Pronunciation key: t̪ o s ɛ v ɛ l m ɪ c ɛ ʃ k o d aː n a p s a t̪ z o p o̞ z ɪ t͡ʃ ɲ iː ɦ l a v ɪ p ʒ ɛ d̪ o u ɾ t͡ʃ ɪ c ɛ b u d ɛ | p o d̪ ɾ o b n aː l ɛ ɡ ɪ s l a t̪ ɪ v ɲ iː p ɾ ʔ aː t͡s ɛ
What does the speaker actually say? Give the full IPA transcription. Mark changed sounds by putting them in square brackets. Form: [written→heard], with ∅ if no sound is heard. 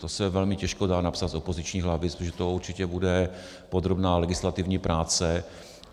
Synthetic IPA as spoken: t̪ o s ɛ v ɛ l m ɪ c ɛ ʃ k o d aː n a p s a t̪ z o p o̞ z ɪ t͡ʃ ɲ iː ɦ l a v ɪ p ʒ ɛ [d̪→t̪] o u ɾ t͡ʃ ɪ c ɛ b u d ɛ | p o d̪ ɾ o b n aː l ɛ ɡ ɪ s l a t̪ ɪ v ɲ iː p ɾ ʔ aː t͡s ɛ